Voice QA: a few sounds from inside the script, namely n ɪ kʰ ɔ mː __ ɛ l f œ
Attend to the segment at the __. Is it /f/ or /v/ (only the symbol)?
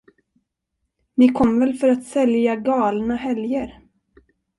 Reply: v